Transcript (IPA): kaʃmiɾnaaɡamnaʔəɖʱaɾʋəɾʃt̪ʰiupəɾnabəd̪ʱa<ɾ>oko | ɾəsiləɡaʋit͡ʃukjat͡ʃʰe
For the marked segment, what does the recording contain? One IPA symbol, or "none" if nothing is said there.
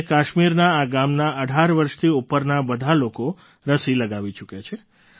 l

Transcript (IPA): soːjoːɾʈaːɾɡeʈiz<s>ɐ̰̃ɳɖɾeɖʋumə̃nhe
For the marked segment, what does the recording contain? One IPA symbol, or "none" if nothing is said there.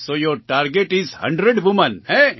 h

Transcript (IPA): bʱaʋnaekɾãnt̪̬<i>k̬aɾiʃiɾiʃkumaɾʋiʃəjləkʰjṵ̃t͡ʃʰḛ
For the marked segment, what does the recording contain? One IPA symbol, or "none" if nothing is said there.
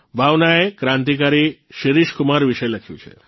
i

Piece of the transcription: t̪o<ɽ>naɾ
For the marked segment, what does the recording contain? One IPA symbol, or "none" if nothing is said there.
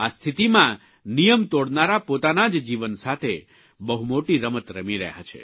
ɽ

